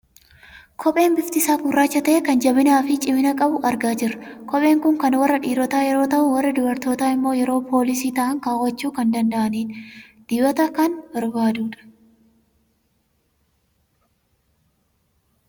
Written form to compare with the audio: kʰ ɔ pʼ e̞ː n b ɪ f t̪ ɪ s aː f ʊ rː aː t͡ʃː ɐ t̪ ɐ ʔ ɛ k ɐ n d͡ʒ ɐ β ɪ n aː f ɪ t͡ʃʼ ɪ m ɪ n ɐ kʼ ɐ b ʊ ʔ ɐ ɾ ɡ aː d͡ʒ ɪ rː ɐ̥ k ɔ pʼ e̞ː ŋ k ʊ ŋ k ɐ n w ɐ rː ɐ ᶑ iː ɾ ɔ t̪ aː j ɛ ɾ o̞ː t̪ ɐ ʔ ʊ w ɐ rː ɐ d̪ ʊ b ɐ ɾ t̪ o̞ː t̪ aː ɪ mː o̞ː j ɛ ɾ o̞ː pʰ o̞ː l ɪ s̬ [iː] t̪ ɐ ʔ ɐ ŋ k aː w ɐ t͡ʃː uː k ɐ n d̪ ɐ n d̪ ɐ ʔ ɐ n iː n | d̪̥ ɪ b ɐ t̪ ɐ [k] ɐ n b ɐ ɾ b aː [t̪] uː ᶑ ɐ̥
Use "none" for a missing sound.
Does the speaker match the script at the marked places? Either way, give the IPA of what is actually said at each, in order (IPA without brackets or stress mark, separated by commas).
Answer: iː, k, d̪